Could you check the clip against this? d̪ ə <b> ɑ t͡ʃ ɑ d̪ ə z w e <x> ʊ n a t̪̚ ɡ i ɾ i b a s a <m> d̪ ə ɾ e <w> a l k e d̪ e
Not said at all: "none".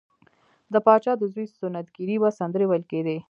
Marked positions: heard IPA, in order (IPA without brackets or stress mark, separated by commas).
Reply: p, s, n, w